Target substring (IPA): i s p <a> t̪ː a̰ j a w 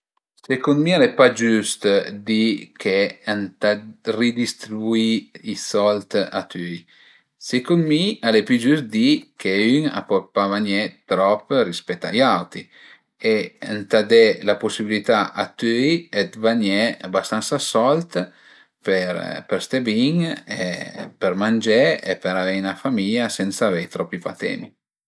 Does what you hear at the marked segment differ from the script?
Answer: yes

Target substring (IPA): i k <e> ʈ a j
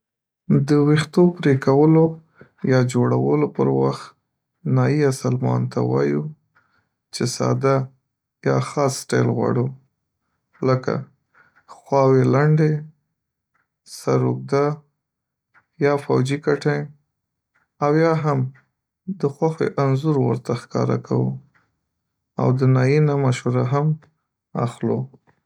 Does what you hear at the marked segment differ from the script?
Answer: yes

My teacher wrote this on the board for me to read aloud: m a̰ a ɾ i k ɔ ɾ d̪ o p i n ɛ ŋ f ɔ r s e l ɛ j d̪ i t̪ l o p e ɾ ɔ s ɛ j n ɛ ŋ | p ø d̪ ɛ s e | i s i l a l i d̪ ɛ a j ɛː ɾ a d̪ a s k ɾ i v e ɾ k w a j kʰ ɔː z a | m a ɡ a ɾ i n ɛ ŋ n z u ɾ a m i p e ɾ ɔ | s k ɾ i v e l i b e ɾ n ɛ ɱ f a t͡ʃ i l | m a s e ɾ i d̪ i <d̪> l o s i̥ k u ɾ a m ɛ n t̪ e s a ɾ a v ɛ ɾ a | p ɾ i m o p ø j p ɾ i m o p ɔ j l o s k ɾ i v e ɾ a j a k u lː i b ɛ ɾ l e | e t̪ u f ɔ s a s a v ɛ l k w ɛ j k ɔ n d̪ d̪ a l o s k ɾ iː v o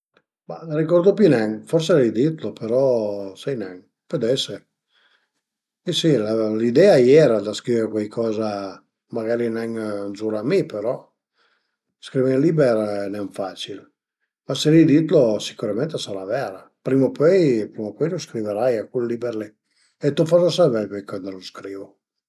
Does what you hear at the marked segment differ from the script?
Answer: yes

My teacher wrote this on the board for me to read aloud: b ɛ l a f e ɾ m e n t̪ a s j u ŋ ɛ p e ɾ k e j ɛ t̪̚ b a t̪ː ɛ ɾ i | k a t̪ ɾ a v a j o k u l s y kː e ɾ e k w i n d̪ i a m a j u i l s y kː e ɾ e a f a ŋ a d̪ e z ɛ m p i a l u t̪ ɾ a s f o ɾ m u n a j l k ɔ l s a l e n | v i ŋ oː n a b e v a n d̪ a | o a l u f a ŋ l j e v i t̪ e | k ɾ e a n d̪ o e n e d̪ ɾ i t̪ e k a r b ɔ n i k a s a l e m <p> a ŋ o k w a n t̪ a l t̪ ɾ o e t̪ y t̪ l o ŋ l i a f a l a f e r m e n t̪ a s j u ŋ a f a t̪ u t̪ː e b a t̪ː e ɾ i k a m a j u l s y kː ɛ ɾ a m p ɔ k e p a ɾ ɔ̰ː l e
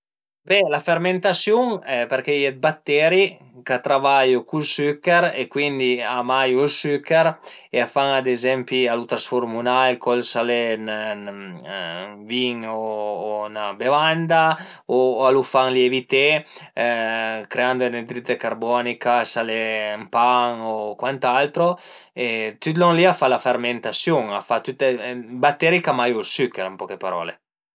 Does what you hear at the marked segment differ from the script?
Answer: no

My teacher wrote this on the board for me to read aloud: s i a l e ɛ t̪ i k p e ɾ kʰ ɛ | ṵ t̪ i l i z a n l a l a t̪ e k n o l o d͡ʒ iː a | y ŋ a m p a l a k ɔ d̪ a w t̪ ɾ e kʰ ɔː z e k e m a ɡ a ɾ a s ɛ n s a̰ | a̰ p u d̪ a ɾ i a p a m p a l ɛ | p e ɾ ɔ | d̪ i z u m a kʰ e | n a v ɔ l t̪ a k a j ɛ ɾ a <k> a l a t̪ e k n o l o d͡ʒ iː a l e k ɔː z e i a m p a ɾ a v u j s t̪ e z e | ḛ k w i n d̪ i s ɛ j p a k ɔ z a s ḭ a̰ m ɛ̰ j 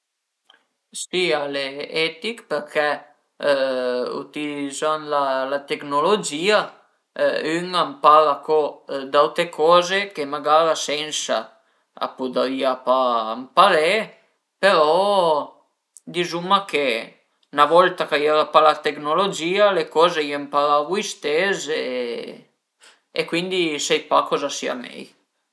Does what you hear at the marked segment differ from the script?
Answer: yes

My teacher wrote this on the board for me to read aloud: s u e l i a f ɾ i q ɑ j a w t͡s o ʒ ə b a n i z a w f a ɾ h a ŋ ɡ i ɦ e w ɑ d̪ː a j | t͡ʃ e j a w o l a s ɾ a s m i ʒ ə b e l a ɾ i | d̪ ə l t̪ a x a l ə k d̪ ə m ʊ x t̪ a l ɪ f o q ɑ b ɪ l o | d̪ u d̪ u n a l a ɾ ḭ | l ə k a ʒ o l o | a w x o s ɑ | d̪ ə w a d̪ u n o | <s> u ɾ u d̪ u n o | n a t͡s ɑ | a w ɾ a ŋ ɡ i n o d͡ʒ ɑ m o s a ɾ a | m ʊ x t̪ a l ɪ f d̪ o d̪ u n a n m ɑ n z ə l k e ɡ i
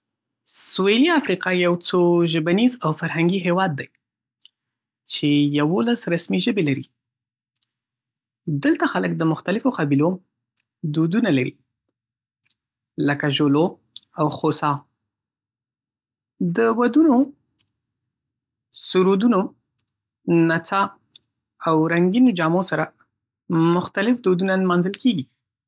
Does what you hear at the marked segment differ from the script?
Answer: no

